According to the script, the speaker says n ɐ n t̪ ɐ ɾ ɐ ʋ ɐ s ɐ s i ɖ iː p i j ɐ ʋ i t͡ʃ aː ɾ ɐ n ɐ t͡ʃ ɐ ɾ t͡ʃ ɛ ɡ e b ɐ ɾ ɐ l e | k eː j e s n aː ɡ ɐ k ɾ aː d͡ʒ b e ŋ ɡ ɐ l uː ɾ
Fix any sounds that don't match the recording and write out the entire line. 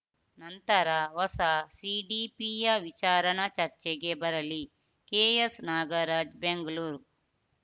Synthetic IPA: n ɐ n t̪ ɐ ɾ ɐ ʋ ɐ s ɐ s i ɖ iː p i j ɐ ʋ i t͡ʃ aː ɾ ɐ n ɐ t͡ʃ ɐ ɾ t͡ʃ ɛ ɡ e b ɐ ɾ ɐ l i | k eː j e s n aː ɡ ɐ ɾ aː d͡ʒ b e ŋ ɡ ɐ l uː ɾ

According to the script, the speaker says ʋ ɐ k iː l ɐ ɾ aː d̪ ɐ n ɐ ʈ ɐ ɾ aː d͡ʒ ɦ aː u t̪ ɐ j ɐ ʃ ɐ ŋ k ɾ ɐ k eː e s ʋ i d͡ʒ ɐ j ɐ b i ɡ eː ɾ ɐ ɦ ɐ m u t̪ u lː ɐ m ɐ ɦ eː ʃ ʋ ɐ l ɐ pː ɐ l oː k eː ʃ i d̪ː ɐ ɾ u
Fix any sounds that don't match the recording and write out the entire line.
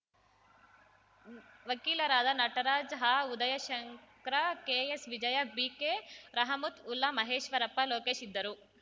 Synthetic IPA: ʋ ɐ k iː l ɐ ɾ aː d̪ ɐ n ɐ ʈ ɐ ɾ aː d͡ʒ ɦ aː u d̪ ɐ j ɐ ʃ ɐ ŋ k ɾ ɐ k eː e s ʋ i d͡ʒ ɐ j ɐ b i k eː ɾ ɐ ɦ ɐ m u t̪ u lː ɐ m ɐ ɦ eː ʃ ʋ ɐ ɾ ɐ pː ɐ l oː k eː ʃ i d̪ː ɐ ɾ u

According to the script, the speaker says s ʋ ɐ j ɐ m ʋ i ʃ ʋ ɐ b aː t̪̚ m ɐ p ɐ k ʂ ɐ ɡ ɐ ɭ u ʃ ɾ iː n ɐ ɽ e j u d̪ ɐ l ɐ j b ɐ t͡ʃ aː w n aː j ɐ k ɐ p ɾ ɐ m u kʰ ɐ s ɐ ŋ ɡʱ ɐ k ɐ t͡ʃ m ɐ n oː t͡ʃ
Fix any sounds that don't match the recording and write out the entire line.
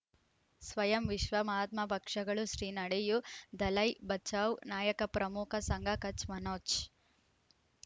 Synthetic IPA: s ʋ ɐ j ɐ m ʋ i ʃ ʋ ɐ m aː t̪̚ m ɐ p ɐ k ʂ ɐ ɡ ɐ ɭ u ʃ ɾ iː n ɐ ɽ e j u d̪ ɐ l ɐ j b ɐ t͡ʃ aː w n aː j ɐ k ɐ p ɾ ɐ m u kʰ ɐ s ɐ ŋ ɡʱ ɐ k ɐ t͡ʃ m ɐ n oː t͡ʃ

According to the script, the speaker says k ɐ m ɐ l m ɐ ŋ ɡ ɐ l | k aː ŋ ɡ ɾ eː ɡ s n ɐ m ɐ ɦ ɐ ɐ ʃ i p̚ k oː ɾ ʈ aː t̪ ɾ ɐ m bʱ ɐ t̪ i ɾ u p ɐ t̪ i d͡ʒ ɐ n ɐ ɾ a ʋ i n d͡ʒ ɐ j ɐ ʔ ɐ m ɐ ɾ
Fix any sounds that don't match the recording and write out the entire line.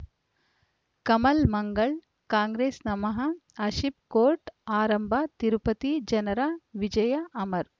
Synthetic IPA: k ɐ m ɐ l m ɐ ŋ ɡ ɐ ɭ | k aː ŋ ɡ ɾ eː s n ɐ m ɐ ɦ ɐ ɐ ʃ i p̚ k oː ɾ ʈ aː ɾ ɐ m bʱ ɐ t̪ i ɾ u p ɐ t̪ i d͡ʒ ɐ n ɐ ɾ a ʋ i d͡ʒ ɐ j ɐ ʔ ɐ m ɐ ɾ

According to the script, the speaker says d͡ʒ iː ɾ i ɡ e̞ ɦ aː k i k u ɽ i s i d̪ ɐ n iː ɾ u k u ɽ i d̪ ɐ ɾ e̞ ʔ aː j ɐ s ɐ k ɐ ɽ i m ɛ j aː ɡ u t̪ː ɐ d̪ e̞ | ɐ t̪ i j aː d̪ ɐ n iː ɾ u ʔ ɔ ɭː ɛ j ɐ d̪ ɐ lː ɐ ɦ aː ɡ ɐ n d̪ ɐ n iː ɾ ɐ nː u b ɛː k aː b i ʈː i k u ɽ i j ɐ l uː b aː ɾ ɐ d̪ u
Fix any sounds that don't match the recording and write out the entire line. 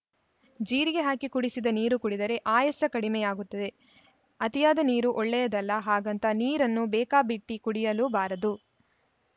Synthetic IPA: d͡ʒ iː ɾ i ɡ e̞ ɦ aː k i k u ɽ i s i d̪ ɐ n iː ɾ u k u ɽ i d̪ ɐ ɾ e̞ ʔ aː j ɐ s ɐ k ɐ ɽ i m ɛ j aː ɡ u t̪ː ɐ d̪ e̞ | ɐ t̪ i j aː d̪ ɐ n iː ɾ u ʔ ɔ ɭː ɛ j ɐ d̪ ɐ lː ɐ ɦ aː ɡ ɐ n t̪ ɐ n iː ɾ ɐ nː u b ɛː k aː b i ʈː i k u ɽ i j ɐ l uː b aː ɾ ɐ d̪ u

